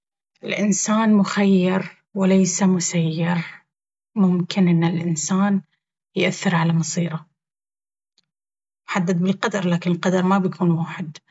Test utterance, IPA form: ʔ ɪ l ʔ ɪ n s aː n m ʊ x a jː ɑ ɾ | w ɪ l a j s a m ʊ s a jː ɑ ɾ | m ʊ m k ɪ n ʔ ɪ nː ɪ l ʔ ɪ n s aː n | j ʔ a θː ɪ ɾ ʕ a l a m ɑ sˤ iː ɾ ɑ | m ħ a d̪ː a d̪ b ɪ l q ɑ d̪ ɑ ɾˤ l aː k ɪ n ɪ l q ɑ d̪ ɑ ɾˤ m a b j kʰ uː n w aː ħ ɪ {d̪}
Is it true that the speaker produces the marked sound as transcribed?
yes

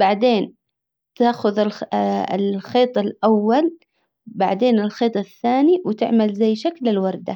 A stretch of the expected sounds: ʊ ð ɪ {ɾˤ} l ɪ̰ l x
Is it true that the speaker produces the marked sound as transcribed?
no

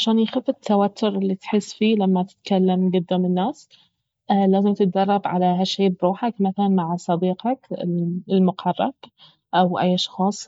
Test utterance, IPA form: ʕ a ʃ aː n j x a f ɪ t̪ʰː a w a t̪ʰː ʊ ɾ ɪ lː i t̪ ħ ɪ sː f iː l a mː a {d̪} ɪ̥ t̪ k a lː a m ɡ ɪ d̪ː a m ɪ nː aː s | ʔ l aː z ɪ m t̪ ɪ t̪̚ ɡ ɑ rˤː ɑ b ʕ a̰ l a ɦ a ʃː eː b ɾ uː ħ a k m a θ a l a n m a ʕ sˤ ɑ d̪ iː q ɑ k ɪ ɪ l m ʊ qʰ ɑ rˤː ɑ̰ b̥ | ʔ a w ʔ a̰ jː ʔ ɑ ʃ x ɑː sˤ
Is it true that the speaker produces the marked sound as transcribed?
no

